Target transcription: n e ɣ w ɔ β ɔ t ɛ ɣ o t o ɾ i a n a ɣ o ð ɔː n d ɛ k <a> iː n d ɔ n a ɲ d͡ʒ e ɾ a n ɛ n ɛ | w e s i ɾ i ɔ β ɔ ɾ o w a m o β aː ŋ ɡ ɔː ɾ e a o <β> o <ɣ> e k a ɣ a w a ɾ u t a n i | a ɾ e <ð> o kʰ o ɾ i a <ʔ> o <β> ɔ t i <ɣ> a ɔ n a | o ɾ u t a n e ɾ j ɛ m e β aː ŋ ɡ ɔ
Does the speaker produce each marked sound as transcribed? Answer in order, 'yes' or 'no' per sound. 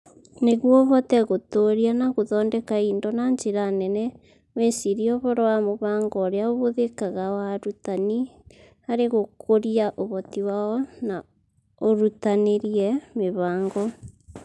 yes, yes, no, no, yes, yes, no

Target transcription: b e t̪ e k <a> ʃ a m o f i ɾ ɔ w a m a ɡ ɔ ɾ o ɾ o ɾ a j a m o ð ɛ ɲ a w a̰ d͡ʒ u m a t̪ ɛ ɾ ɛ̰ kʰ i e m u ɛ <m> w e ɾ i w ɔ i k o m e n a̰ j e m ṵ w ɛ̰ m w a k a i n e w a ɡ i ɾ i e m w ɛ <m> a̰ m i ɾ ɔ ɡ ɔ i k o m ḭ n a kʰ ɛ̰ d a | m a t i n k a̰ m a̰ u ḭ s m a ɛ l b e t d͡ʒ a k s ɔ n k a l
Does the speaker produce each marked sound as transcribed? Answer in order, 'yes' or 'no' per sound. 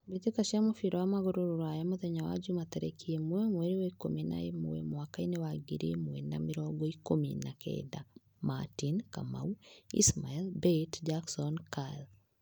yes, yes, no

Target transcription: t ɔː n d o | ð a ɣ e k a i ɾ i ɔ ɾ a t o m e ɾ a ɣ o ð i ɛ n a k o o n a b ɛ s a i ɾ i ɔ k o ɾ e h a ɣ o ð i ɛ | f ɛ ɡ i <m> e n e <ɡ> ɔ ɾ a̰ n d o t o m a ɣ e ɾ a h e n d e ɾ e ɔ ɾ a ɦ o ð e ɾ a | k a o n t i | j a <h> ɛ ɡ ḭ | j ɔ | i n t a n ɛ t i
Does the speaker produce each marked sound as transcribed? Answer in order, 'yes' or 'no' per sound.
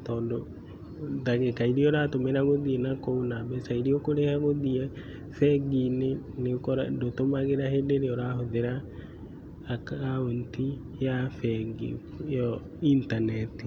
no, no, no

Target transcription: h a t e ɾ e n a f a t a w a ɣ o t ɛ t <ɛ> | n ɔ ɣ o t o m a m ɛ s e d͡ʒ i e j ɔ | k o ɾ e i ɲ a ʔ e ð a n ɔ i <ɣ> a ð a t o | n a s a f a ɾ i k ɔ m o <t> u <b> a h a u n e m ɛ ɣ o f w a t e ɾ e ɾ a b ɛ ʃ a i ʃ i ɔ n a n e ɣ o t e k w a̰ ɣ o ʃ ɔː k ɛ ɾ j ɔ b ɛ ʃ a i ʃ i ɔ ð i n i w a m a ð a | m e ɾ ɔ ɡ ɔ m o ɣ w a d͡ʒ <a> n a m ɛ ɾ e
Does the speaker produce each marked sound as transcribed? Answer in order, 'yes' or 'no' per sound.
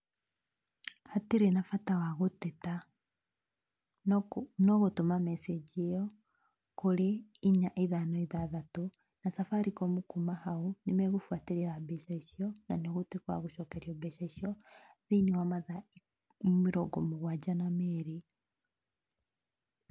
no, no, no, no, yes

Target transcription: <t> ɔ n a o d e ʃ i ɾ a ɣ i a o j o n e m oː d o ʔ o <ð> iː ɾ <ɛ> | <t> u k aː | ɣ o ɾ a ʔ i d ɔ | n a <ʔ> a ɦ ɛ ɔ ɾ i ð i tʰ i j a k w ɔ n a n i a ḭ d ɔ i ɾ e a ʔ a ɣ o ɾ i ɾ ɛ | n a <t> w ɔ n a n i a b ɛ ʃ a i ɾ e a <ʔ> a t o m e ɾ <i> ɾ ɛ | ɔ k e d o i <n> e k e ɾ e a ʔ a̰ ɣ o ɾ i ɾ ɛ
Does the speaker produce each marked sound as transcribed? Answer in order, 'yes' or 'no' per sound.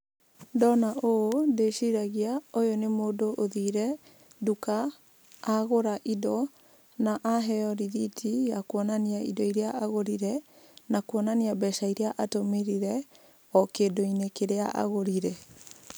no, yes, yes, no, yes, no, yes, yes, yes

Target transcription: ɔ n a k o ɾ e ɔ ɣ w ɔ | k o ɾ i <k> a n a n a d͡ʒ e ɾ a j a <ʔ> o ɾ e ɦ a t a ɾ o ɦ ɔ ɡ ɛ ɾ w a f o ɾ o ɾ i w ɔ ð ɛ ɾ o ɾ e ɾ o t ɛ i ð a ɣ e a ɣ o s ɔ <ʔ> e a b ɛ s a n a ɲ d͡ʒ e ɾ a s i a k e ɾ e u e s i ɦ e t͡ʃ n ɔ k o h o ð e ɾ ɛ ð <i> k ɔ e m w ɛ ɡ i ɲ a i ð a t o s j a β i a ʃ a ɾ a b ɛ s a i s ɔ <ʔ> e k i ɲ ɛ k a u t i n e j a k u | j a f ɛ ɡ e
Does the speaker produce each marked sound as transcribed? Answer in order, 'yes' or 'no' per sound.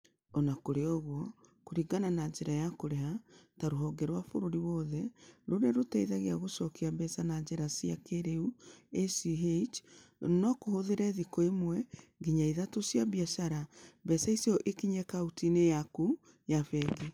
no, no, no, yes, yes

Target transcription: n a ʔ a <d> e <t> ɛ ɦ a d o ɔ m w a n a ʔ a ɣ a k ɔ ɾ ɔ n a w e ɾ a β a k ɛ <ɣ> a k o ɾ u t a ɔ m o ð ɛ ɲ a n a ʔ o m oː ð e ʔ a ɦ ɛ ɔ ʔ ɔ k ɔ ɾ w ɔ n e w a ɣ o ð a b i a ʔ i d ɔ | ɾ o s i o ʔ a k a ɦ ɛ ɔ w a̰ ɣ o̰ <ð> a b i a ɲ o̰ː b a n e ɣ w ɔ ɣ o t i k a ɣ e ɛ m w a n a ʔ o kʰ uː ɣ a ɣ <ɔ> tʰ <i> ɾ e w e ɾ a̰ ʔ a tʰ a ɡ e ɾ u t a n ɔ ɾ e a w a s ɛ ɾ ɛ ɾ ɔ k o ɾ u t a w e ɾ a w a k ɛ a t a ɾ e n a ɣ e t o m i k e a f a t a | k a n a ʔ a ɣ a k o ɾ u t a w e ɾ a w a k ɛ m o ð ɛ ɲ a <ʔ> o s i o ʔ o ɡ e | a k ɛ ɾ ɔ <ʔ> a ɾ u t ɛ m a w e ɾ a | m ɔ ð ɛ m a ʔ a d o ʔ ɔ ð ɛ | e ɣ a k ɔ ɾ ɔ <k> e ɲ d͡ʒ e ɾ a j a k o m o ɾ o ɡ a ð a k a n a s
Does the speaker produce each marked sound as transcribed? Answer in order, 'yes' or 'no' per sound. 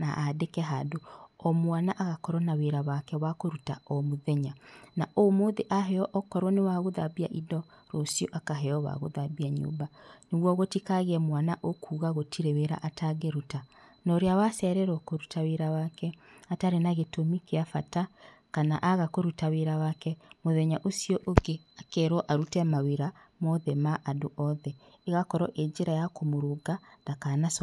yes, no, no, yes, no, yes, yes, yes, no

